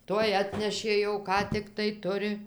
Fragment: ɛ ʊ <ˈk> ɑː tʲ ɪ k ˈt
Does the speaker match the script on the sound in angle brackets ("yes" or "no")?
yes